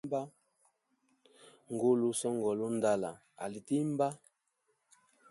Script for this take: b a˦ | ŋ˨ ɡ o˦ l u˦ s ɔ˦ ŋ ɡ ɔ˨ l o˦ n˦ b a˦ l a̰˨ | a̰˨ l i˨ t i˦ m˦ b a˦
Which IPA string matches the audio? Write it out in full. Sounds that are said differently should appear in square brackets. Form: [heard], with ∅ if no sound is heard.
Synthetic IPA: b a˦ | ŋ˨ ɡ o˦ l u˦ s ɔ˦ ŋ ɡ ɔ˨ l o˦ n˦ [d] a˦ l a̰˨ | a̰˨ l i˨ t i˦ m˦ b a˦